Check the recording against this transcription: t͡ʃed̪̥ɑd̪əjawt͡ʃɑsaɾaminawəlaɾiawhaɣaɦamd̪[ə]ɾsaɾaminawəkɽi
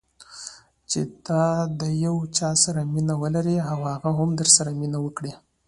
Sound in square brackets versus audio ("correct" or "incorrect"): correct